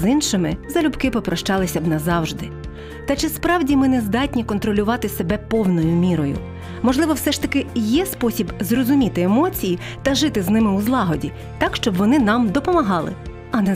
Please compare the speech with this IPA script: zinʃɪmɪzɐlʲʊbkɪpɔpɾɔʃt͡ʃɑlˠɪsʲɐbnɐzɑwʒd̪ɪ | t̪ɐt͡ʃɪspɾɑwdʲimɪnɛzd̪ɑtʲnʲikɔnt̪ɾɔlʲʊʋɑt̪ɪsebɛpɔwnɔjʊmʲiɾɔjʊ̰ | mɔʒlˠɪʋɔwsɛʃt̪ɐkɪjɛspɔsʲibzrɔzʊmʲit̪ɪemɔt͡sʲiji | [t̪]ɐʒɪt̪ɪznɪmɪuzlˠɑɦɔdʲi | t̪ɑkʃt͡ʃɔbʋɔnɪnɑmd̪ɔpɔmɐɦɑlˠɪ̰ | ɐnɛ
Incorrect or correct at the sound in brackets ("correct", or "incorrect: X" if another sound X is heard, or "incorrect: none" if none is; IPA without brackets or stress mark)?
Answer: correct